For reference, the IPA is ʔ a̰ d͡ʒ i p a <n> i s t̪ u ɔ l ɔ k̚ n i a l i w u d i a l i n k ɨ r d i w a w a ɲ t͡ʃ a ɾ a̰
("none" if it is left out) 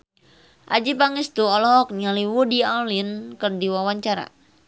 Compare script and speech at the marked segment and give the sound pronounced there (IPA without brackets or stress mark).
ŋ